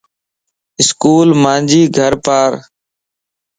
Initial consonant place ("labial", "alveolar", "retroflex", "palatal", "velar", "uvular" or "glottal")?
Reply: alveolar